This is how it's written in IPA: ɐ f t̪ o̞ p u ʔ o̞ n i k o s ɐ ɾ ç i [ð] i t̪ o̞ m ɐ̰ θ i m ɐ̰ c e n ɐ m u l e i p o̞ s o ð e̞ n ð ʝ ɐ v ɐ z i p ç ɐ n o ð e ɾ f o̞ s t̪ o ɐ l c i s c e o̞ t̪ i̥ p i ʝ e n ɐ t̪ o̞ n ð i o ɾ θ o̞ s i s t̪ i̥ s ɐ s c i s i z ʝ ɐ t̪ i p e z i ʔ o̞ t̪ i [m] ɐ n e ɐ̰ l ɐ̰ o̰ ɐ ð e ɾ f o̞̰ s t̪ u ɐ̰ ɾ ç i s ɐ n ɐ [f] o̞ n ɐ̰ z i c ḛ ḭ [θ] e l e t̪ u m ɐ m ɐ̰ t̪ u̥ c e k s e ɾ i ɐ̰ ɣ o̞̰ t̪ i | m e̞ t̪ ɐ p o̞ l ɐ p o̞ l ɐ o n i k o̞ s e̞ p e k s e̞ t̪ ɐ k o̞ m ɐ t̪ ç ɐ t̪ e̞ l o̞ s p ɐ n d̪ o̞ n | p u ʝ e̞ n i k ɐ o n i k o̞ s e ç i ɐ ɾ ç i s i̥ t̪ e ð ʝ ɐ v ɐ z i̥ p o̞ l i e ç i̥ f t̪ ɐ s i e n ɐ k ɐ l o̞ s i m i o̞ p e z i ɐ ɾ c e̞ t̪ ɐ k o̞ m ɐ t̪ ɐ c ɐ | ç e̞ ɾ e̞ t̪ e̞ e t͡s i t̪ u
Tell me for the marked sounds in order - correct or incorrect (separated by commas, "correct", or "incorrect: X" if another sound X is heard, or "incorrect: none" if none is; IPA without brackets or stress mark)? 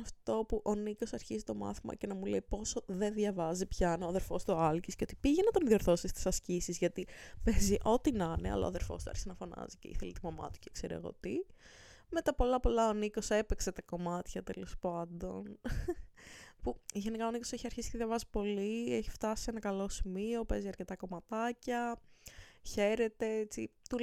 incorrect: z, incorrect: n, correct, correct